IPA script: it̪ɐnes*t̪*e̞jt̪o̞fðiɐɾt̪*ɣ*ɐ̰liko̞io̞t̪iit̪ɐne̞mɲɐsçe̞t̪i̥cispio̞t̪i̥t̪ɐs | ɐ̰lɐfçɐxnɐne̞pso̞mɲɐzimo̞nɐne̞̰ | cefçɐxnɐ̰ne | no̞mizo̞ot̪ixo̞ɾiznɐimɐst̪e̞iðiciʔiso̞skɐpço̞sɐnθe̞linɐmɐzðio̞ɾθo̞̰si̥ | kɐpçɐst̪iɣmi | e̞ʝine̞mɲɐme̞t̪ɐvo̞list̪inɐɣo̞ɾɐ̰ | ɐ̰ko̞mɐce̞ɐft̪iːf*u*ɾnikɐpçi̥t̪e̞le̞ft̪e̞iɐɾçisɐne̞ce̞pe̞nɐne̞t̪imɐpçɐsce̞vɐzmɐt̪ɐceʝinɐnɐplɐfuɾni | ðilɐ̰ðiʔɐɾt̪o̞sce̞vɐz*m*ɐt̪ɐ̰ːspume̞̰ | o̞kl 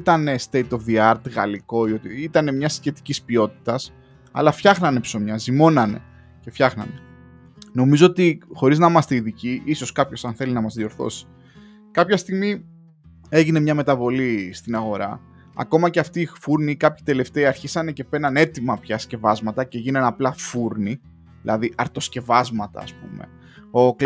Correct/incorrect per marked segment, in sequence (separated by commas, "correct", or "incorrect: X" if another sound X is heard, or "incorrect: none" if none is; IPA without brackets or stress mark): correct, correct, correct, correct